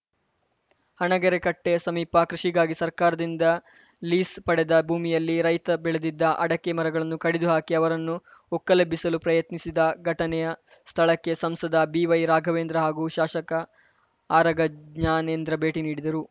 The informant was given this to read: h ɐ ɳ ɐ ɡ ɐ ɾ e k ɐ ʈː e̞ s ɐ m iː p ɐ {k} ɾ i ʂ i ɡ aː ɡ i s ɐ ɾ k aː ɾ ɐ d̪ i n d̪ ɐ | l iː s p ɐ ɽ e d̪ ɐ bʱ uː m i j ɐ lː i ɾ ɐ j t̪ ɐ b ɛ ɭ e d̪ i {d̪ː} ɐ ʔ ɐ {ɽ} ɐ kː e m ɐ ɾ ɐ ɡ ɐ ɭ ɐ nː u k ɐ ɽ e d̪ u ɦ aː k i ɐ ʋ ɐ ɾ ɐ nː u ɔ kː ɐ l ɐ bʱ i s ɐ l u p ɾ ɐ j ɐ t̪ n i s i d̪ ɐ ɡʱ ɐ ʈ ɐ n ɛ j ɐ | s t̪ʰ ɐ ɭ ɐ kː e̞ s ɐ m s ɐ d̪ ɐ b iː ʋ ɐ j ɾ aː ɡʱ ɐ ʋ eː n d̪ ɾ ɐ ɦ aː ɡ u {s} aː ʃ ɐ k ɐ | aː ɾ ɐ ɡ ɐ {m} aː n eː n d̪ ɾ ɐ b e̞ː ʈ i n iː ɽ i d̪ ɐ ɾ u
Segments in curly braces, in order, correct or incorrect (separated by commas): correct, correct, correct, incorrect, incorrect